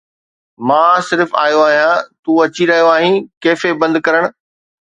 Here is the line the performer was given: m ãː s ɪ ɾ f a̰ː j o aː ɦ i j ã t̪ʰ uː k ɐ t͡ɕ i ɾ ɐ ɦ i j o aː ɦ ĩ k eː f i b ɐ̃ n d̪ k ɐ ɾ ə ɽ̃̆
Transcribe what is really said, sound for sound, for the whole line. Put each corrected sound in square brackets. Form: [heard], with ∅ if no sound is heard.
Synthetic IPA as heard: m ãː s ɪ ɾ f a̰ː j o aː ɦ i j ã [t̪] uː [∅] ɐ t͡ɕ i ɾ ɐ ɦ i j o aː ɦ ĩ k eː f [e] b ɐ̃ n d̪ k ɐ ɾ ə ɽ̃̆